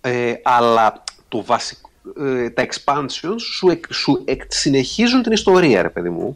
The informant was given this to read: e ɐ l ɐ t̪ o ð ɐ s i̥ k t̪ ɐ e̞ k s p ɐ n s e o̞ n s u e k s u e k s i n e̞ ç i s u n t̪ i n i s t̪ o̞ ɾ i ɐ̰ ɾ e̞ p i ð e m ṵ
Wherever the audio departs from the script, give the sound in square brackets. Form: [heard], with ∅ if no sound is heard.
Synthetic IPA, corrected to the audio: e ɐ l ɐ t̪ o [v] ɐ s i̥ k t̪ ɐ e̞ k s p ɐ n s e o̞ n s u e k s u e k s i n e̞ ç i [z] u n t̪ i n i s t̪ o̞ ɾ i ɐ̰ ɾ e̞ p [e] ð [i] m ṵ